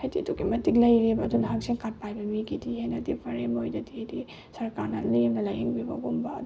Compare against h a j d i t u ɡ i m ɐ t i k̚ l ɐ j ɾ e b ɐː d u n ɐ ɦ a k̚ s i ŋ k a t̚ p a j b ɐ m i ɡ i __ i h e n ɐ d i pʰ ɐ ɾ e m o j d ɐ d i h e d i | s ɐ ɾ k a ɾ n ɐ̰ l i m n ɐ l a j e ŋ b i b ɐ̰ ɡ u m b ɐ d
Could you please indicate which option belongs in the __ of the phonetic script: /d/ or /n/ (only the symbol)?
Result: d